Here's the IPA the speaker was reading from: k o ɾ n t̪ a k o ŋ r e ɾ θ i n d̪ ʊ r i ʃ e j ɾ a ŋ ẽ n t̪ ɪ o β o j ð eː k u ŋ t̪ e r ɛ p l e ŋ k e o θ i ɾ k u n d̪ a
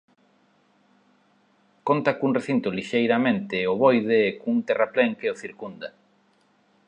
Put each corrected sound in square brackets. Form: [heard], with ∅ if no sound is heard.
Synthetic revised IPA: k o [∅] n t̪ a k [u] ŋ r e [∅] θ i n [t̪] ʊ [l] i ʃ e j ɾ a [m] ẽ n t̪ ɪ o β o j ð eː k u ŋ t̪ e r [a] p l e ŋ k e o θ i ɾ k u n d̪ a